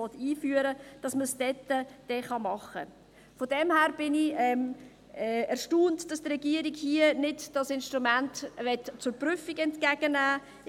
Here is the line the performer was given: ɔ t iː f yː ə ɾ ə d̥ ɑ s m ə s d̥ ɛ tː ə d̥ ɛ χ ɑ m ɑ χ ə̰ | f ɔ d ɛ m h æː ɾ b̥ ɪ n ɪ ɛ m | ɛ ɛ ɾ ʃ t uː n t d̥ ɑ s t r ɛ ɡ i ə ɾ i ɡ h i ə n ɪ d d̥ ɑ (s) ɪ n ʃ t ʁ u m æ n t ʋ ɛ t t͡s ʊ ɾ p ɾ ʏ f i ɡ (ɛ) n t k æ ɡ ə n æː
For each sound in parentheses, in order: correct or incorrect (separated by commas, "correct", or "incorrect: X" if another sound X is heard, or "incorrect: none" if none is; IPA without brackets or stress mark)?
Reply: correct, correct